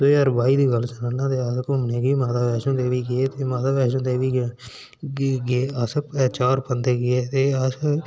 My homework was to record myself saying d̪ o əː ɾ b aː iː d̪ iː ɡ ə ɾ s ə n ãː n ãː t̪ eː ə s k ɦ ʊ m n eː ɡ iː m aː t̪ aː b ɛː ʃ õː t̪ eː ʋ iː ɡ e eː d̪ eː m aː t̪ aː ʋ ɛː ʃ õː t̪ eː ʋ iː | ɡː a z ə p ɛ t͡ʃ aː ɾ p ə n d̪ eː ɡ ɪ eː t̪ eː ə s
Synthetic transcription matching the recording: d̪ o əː ɾ b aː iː d̪ iː ɡ ə l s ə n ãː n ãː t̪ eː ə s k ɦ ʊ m n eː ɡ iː m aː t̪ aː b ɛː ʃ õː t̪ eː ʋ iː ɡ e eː t̪ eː m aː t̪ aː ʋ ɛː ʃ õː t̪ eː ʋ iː | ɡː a s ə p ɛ t͡ʃ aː ɾ p ə n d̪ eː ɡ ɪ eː t̪ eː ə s